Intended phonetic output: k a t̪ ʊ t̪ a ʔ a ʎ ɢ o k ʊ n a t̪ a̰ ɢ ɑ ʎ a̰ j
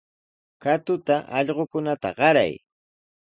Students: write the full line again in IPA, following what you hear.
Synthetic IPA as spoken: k a t̪ ʊ t̪ a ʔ ɑ ʎ ɢ o k ʊ n a t̪ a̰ ɢ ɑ ɾ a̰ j